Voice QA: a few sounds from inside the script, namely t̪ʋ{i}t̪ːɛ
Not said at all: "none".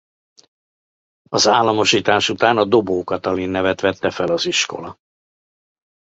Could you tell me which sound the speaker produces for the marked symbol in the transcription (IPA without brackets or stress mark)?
ɛ